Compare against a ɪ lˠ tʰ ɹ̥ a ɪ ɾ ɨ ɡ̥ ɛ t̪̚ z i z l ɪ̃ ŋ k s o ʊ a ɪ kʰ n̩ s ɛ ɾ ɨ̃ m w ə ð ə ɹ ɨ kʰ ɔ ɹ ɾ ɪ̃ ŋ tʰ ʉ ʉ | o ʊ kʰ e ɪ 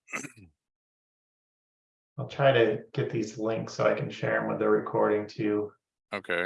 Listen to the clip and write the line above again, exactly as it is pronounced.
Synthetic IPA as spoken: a ɪ lˠ tʰ ɹ̥ a ɪ ɾ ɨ ɡ̥ ɛ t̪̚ ð i z l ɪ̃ ŋ k s o ʊ a ɪ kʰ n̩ ʃ ɛ ɹ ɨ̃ m w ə ð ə ɹ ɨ kʰ ɔ ɹ ɾ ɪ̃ ŋ tʰ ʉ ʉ | o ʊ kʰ e ɪ

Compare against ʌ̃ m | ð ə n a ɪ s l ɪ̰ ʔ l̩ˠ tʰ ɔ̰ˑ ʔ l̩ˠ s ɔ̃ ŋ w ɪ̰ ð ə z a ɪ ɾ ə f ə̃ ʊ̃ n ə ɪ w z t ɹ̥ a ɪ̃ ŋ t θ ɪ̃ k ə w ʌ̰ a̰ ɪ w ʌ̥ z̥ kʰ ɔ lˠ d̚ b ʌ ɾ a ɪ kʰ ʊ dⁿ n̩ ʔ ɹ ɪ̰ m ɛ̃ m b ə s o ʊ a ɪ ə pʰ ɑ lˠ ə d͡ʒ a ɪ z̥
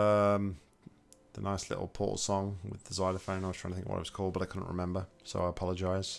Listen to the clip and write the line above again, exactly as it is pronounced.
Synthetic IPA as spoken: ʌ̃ m | ð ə n a ɪ s l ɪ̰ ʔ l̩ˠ pʰ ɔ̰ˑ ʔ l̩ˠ s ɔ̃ ŋ w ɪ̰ ð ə z a ɪ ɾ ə f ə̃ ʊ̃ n a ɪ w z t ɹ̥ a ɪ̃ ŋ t θ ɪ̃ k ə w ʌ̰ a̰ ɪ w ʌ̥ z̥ kʰ ɔ lˠ d̚ b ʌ ɾ a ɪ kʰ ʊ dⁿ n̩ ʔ ɹ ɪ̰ m ɛ̃ m b ə s o ʊ a ɪ ə pʰ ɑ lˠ ə d͡ʒ a ɪ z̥

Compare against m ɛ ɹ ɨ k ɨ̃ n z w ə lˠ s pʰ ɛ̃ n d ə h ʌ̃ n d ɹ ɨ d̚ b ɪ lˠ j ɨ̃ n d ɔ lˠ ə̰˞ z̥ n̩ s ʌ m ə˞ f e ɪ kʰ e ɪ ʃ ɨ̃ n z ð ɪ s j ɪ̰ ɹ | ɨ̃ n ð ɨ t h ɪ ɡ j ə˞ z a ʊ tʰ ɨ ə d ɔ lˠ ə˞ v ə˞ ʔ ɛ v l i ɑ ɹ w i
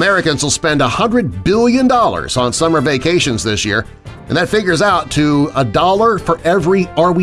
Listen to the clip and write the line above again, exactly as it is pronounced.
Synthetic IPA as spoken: m ɛ ɹ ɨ k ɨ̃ n z w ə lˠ s p ɛ̃ n d ə h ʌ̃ n d ɹ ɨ d̚ b ɪ lˠ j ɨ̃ n d ɔ lˠ ə̰˞ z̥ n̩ s ʌ m ə˞ v e ɪ kʰ e ɪ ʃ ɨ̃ n z ð ɪ s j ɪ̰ ɹ | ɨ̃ n ð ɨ t f ɪ ɡ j ə˞ z a ʊ tʰ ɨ ə d ɔ lˠ ə˞ f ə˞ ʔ ɛ v ɹ i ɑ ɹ w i

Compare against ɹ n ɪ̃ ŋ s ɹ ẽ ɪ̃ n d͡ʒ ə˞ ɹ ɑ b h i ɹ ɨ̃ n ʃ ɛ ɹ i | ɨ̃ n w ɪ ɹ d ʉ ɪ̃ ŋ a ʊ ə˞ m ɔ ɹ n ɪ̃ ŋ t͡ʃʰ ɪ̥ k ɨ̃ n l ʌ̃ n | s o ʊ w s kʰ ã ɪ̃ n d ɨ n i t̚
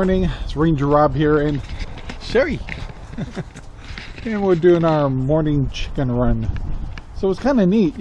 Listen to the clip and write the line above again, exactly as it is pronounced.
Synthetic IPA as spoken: ɹ n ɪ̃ ŋ s ɹ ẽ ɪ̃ n d͡ʒ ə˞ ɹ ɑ b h i ɹ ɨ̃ n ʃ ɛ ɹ i | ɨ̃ n w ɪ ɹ d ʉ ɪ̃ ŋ a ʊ ə˞ m ɔ ɹ n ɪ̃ ŋ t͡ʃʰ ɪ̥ k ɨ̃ n ɹ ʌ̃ n | s o ʊ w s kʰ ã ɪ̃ n d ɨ n i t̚

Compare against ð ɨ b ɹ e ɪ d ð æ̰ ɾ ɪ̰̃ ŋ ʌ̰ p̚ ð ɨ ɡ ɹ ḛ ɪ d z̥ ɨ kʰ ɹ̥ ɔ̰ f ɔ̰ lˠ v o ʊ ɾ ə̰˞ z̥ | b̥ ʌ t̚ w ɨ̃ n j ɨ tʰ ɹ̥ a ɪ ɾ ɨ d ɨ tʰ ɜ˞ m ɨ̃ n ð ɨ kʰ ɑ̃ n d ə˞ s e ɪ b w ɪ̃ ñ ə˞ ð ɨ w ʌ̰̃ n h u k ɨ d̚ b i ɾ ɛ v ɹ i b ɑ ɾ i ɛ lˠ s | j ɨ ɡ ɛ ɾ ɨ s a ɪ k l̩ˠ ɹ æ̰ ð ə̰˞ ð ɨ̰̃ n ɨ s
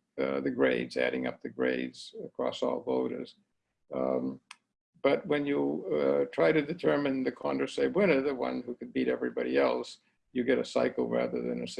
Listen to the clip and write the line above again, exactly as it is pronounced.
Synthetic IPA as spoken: ð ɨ ɡ ɹ e ɪ d z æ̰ ɾ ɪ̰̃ ŋ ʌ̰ p̚ ð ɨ ɡ ɹ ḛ ɪ d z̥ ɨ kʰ ɹ̥ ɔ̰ s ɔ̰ lˠ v o ʊ ɾ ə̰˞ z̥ | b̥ ʌ t̚ w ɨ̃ n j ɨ tʰ ɹ̥ a ɪ ɾ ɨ d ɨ tʰ ɜ˞ m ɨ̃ n ð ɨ kʰ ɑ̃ n d ə˞ s e ɪ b w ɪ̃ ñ ə˞ ð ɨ w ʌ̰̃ n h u k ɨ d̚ b i ɾ ɛ v ɹ i b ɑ ɾ i ɛ lˠ s | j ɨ ɡ ɛ ɾ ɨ s a ɪ k l̩ˠ ɹ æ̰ ð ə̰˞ ð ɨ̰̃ n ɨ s

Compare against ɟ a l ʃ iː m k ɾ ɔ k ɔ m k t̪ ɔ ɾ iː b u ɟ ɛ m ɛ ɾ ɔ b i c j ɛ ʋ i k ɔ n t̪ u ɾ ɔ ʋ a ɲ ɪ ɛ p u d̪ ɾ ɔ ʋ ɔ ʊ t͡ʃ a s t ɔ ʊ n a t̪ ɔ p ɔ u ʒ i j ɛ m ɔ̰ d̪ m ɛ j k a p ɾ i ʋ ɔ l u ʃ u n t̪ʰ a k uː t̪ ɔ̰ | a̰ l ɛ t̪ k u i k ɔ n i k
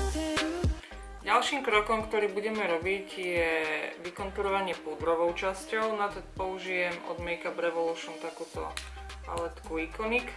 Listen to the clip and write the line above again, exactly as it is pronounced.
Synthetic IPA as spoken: ɟ a l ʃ iː m k ɾ ɔ k ɔ m k t̪ ɔ ɾ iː b u ɟ ɛ m ɛ ɾ ɔ b i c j ɛ ʋ i k ɔ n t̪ u ɾ ɔ ʋ a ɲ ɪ ɛ p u d̪ ɾ ɔ ʋ ɔ ʊ t͡ʃ a s c ɔ ʊ n a t̪ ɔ p ɔ u ʒ i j ɛ m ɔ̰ d̪ m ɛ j k a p ɾ ɛ ʋ ɔ l u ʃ u n t̪ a k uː t̪ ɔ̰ | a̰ l ɛ t̪ k u i k ɔ n i k

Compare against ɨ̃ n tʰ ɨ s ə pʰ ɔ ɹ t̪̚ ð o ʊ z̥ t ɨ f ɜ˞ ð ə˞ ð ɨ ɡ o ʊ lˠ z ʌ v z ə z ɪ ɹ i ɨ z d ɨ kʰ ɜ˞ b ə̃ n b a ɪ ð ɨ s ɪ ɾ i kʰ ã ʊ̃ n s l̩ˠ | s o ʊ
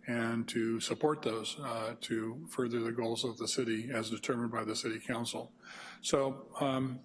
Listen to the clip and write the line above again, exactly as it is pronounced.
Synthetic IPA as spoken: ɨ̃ n tʰ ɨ s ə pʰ ɔ ɹ t̪̚ ð o ʊ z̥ tʰ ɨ f ɜ˞ ð ə˞ ð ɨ ɡ o ʊ lˠ z ʌ v ð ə s ɪ ɾ i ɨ z d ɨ tʰ ɜ˞ m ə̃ n b a ɪ ð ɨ s ɪ ɾ i kʰ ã ʊ̃ n s l̩ˠ | s o ʊ

